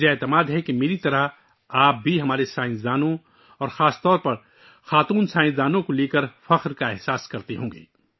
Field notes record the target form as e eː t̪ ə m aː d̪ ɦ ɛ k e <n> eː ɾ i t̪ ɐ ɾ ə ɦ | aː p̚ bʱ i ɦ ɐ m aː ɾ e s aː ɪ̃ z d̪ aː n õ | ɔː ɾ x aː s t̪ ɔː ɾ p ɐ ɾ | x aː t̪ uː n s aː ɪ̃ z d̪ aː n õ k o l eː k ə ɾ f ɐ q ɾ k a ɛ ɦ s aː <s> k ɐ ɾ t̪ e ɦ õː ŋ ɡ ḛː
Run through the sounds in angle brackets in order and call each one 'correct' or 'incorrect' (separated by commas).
incorrect, correct